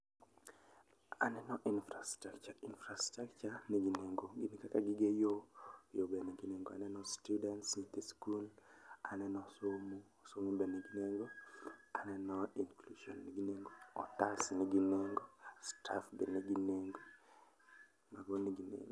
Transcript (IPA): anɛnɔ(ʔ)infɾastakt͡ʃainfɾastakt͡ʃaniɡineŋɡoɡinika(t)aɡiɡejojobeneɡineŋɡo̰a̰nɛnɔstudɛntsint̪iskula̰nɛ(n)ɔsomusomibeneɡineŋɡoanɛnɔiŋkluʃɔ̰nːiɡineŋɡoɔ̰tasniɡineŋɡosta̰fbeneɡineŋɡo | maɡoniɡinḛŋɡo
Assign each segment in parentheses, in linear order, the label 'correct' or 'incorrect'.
correct, incorrect: k, correct

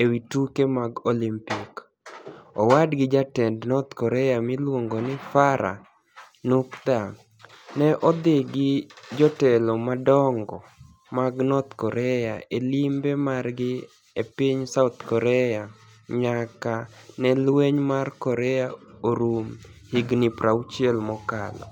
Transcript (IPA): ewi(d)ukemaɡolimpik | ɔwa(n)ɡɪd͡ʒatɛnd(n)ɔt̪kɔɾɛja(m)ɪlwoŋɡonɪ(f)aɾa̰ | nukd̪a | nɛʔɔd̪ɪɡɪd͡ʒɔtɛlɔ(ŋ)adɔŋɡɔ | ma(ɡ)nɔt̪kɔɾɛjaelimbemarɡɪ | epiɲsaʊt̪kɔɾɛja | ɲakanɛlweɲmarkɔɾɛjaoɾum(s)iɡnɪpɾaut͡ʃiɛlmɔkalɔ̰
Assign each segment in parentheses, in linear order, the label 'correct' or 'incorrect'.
incorrect: t, incorrect: d, correct, correct, correct, incorrect: m, correct, incorrect: h

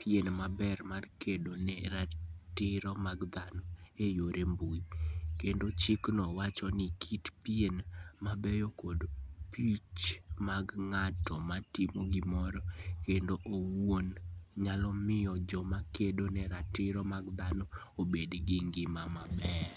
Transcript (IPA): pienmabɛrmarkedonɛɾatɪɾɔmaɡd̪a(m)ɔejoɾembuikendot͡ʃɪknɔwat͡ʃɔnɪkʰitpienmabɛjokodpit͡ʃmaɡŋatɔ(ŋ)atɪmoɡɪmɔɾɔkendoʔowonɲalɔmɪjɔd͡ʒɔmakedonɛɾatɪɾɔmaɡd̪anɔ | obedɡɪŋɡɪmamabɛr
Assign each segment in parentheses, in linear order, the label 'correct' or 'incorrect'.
incorrect: n, incorrect: m

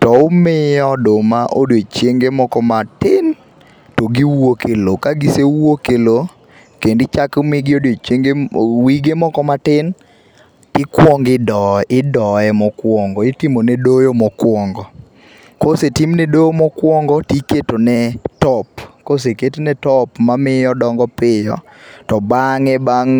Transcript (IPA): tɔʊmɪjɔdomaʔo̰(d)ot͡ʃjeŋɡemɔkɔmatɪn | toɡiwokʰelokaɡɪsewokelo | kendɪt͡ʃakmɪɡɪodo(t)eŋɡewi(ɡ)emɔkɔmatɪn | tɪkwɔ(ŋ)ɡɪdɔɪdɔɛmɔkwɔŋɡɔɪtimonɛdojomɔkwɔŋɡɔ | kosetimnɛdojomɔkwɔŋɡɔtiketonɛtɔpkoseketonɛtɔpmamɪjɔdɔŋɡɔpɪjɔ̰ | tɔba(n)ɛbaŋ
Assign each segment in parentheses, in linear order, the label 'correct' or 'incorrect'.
correct, incorrect: t͡ʃ, correct, correct, incorrect: ŋ

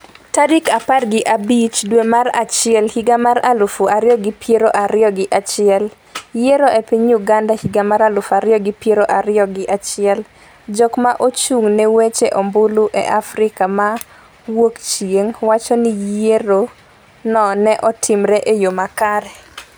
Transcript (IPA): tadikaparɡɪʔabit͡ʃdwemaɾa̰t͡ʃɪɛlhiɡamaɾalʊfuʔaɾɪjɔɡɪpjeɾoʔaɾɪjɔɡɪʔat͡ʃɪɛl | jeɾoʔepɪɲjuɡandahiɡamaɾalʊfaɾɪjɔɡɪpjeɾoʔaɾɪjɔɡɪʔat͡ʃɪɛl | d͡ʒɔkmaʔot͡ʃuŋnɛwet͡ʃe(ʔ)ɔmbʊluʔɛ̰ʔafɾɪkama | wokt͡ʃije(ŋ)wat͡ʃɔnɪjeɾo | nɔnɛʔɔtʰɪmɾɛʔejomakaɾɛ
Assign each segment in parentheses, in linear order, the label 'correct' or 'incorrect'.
correct, correct

